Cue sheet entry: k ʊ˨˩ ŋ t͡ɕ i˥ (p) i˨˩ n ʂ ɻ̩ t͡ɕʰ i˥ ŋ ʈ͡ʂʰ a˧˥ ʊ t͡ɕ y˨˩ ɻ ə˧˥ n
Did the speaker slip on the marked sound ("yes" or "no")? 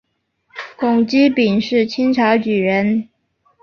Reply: no